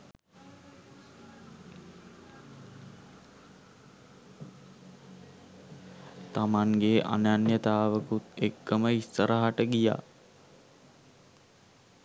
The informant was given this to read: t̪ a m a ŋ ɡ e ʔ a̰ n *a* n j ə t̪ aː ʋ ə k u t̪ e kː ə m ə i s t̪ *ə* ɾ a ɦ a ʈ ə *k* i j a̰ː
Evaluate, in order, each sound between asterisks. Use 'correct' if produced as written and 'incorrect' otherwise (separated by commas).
correct, correct, incorrect